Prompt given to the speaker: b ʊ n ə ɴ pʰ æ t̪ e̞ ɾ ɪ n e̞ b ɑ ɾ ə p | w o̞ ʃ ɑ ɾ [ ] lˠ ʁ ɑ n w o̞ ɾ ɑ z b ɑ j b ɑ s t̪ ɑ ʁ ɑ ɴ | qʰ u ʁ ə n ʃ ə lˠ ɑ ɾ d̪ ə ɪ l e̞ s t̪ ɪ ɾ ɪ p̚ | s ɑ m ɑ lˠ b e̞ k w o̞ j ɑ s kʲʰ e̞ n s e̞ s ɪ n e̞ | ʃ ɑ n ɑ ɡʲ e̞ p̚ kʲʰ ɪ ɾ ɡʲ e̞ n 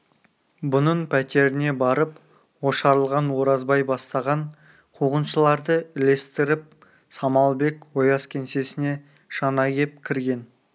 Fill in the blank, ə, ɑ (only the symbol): ə